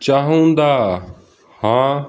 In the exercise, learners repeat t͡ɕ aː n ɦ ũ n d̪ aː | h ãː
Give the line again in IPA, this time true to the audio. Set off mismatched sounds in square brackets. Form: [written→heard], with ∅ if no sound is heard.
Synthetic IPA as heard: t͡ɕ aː [n→∅] ɦ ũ n d̪ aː | h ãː

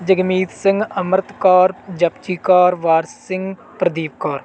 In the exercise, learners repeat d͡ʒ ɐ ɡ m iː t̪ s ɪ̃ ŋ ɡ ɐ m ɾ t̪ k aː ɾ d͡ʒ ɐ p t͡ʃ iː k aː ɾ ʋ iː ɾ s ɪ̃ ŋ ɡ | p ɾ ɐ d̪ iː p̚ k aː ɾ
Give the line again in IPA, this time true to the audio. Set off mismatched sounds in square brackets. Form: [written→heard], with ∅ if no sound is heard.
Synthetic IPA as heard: d͡ʒ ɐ ɡ m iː t̪ s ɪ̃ ŋ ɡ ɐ m ɾ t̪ k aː ɾ d͡ʒ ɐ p t͡ʃ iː k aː ɾ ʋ [iː→aː] ɾ s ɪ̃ ŋ ɡ | p ɾ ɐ d̪ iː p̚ k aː ɾ

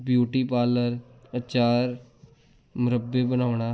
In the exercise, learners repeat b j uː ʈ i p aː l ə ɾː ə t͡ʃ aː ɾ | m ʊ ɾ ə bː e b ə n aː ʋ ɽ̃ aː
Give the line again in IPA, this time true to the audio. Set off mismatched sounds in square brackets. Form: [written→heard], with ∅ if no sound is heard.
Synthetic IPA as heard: b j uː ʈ i p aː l ə [ɾː→ɾ] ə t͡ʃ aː ɾ | m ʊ ɾ ə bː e b ə n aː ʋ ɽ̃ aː

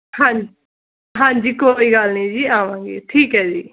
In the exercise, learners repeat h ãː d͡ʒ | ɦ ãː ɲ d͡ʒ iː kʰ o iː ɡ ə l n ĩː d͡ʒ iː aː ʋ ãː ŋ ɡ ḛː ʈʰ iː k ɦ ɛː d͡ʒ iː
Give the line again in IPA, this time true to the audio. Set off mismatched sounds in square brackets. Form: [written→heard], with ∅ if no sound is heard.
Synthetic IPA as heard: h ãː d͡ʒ | ɦ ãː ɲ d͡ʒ iː [kʰ→k] o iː ɡ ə l n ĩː d͡ʒ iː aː ʋ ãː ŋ ɡ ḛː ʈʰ iː k ɦ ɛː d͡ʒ iː

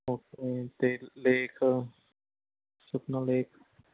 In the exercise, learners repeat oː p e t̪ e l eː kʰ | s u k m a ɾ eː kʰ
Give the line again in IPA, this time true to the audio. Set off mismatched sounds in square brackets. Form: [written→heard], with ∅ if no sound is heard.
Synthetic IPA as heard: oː [p→k] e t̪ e l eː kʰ | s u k [m→n] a [ɾ→l] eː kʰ

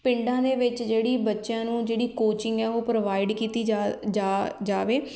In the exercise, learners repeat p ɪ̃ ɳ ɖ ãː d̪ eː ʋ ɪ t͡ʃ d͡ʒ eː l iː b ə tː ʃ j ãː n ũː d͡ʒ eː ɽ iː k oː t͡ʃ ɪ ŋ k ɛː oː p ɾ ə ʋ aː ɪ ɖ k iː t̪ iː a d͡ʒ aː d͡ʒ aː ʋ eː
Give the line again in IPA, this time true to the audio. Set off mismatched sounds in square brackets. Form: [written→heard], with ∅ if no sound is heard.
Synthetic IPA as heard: p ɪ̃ ɳ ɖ ãː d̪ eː ʋ ɪ t͡ʃ d͡ʒ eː [l→ɽ] iː b ə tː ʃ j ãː n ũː d͡ʒ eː ɽ iː k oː t͡ʃ ɪ ŋ [k→ɡ] ɛː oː p ɾ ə ʋ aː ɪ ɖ k iː t̪ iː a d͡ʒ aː d͡ʒ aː ʋ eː

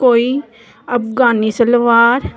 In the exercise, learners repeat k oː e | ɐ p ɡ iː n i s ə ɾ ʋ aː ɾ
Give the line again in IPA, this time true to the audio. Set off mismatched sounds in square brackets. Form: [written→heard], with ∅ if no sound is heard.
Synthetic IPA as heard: k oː [e→i] | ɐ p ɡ [iː→aː] n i s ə [ɾ→l] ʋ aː ɾ

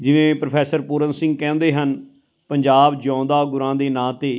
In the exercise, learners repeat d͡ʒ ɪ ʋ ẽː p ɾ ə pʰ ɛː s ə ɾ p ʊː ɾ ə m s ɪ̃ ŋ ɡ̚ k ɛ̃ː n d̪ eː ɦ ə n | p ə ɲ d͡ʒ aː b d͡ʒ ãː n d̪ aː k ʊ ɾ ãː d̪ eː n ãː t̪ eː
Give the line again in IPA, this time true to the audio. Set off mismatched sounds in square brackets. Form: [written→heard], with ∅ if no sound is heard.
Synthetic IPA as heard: d͡ʒ ɪ ʋ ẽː p ɾ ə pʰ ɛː s ə ɾ p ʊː ɾ ə [m→n] s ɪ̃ ŋ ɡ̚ k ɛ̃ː n d̪ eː ɦ ə n | p ə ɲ d͡ʒ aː b d͡ʒ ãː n d̪ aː [k→ɡ] ʊ ɾ ãː d̪ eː n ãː t̪ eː

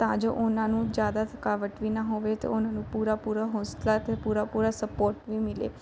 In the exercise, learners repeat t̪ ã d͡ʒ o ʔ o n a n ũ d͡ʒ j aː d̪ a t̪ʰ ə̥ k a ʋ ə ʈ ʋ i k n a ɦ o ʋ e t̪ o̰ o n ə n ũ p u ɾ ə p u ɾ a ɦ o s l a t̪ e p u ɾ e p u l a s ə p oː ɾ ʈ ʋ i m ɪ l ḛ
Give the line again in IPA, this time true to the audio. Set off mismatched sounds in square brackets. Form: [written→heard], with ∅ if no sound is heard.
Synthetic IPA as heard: t̪ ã d͡ʒ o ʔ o n a n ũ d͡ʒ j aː d̪ a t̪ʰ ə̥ k a ʋ ə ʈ ʋ i [k→∅] n a ɦ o ʋ e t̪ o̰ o n [ə→a] n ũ p u ɾ [ə→a] p u ɾ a ɦ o s l a t̪ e p u ɾ [e→a] p u [l→ɾ] a s ə p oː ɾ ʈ ʋ i m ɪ l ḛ

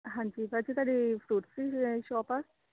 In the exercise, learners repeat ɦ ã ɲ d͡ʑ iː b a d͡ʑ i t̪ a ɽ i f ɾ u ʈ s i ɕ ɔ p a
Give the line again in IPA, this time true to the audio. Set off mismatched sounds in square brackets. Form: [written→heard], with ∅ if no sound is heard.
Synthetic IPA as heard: ɦ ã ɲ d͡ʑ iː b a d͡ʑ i t̪ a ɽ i f ɾ u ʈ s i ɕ ɔ p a

